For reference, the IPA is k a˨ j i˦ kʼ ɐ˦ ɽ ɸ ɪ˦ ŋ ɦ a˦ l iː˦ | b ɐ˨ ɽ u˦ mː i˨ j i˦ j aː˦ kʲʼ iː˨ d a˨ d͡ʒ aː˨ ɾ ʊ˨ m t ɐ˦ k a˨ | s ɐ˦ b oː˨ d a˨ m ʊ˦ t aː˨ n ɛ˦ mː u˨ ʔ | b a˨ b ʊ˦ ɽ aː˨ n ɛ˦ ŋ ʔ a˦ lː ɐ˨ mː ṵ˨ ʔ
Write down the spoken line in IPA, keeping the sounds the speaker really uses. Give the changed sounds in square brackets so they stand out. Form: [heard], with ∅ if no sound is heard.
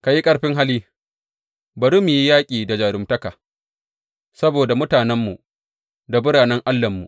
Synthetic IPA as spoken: k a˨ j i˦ kʼ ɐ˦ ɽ ɸ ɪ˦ ŋ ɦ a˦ l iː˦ | b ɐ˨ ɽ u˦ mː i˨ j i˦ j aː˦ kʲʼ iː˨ d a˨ d͡ʒ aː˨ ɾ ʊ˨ m t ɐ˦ k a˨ | s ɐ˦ b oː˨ d a˨ m ʊ˦ t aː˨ n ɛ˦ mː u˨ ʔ | [d] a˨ b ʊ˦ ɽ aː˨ n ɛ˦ ŋ ʔ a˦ lː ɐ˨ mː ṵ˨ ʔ

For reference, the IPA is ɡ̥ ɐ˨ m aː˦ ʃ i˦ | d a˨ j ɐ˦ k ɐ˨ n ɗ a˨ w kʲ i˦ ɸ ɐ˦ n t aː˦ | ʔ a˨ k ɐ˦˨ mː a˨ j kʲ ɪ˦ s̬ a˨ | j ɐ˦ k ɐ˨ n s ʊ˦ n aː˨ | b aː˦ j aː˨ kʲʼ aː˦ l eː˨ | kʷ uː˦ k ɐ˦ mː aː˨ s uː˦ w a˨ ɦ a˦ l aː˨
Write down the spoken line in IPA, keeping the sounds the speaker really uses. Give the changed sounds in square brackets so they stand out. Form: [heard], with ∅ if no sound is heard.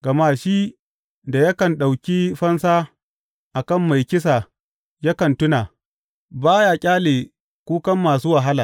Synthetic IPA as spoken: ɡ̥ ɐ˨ m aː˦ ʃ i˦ | d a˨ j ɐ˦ k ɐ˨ n ɗ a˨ w kʲ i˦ ɸ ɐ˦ n [s] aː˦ | ʔ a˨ k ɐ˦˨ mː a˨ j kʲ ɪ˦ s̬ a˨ | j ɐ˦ k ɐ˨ n [t] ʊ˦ n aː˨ | b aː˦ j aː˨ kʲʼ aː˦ l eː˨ | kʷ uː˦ k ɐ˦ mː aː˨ s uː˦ w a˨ ɦ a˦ l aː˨

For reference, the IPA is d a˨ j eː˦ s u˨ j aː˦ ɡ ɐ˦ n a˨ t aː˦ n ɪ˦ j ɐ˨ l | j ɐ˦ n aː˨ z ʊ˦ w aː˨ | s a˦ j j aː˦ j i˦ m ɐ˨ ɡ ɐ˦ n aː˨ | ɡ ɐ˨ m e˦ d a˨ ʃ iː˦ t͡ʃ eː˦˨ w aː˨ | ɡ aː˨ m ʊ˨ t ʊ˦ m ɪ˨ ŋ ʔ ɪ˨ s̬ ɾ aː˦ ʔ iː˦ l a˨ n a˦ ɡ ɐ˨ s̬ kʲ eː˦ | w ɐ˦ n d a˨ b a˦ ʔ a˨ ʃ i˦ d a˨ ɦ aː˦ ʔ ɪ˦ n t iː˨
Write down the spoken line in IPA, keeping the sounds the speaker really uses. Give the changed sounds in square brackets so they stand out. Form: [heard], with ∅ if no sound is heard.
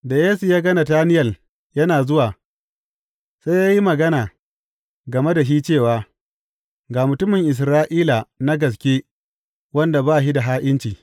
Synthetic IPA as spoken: d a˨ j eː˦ s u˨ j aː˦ ɡ ɐ˦ n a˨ t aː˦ n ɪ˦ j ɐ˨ l | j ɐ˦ n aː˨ z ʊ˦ w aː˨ | s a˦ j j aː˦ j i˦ m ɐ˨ ɡ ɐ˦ n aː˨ | ɡ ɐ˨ m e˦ d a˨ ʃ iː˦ t͡ʃ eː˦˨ w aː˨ | ɡ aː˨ m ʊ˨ t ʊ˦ m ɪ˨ ŋ ʔ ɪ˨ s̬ ɾ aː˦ ʔ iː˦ l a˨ n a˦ ɡ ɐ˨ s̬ kʲ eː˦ | w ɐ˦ n d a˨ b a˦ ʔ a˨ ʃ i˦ d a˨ ɦ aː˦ ʔ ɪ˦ n [t͡ʃ] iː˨

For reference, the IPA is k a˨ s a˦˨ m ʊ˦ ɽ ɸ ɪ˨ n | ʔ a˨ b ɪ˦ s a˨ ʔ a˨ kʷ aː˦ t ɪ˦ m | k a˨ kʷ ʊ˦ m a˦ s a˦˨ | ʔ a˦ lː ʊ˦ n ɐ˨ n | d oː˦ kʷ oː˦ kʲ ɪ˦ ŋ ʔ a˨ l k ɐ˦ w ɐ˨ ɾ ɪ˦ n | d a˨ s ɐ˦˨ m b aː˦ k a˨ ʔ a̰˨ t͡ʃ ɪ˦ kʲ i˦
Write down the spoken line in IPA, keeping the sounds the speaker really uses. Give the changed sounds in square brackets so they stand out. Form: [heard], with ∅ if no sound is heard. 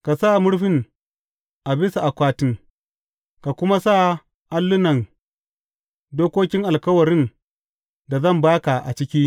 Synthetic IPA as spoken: k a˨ s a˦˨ m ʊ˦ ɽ ɸ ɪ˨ n | ʔ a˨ b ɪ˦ s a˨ ʔ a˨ kʷ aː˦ t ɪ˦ [ŋ] | k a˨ kʷ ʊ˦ m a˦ s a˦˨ | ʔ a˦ lː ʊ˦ n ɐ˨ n | d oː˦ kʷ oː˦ kʲ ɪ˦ ŋ ʔ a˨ l k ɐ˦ w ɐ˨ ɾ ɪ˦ n | d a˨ [z] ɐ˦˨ m b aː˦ k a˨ ʔ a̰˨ t͡ʃ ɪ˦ kʲ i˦

